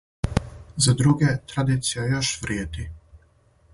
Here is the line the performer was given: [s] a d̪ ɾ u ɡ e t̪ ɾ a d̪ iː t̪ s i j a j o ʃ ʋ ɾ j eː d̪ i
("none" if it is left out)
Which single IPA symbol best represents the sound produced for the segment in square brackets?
z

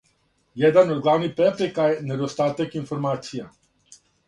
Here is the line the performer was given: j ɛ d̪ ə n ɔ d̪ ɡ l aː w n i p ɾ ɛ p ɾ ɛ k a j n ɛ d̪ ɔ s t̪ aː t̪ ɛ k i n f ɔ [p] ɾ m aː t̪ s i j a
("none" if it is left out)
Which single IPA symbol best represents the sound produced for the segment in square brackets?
none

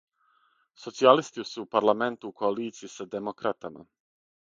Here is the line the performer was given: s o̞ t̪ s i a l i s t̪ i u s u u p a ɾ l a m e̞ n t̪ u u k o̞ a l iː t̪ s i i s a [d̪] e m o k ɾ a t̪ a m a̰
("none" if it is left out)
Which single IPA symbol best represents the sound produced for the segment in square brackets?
d̪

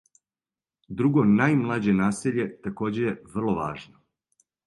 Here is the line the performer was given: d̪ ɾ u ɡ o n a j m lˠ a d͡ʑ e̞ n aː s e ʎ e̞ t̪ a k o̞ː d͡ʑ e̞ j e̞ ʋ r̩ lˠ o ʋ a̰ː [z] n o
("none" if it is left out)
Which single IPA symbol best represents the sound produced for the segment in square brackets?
ʒ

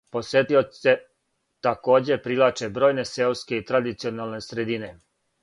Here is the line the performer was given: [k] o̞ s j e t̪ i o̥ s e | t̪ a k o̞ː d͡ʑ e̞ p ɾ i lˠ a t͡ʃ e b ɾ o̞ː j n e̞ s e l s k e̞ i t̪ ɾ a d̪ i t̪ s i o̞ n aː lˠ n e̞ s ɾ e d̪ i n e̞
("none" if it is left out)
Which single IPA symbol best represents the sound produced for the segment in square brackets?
p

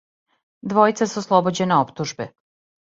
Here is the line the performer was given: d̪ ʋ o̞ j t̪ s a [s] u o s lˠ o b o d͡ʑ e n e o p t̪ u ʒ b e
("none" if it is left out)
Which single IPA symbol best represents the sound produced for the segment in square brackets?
s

